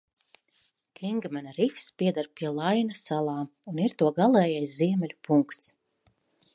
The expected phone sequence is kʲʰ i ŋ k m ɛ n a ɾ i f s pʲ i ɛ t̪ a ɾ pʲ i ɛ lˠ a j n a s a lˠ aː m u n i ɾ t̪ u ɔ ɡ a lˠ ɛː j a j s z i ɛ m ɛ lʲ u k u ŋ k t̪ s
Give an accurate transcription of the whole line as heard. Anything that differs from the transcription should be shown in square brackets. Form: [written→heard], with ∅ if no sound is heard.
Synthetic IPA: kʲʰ i ŋ [k→ɡ] m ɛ n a ɾ i f s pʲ i ɛ [t̪→d̪] a ɾ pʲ i ɛ lˠ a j n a s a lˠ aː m u n i ɾ t̪ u ɔ ɡ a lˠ ɛː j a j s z i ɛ m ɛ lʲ u [k→p] u ŋ k t̪ s